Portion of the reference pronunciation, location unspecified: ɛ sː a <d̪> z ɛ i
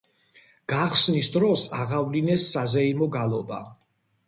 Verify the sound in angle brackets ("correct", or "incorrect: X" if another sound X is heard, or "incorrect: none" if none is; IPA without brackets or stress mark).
incorrect: none